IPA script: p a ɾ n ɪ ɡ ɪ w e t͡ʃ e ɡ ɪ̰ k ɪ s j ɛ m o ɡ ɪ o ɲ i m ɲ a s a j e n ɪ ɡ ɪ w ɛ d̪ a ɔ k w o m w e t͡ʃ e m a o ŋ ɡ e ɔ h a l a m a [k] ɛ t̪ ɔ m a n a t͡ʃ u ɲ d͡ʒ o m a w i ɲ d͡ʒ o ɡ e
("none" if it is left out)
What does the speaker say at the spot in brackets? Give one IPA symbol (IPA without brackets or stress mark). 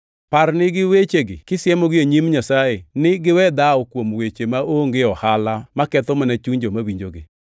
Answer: k